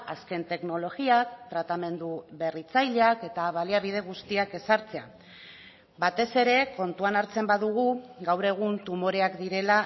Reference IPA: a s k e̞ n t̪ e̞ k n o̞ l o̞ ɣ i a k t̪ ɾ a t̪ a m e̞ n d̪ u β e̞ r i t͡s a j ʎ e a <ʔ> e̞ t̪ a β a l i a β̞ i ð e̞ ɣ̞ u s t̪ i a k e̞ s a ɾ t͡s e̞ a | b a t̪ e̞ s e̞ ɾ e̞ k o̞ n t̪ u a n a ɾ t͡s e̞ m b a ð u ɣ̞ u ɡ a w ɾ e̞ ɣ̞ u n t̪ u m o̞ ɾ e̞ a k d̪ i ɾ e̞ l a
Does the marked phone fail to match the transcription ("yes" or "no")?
yes